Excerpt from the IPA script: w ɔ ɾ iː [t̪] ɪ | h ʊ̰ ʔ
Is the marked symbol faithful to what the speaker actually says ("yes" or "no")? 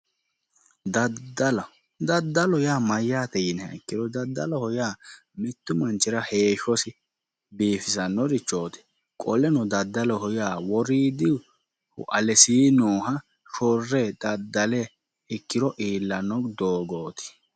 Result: no